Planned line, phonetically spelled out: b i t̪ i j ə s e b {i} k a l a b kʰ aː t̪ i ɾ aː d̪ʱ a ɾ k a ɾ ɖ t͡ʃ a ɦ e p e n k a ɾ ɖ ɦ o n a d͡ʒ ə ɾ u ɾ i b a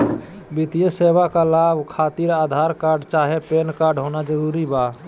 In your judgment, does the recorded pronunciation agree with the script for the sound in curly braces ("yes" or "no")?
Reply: no